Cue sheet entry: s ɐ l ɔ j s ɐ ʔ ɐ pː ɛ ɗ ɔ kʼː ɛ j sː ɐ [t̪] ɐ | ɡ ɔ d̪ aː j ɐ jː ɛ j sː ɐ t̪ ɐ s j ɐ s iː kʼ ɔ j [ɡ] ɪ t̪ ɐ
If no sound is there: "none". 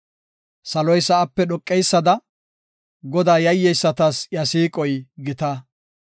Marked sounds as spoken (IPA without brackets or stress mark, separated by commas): d̪, ɡ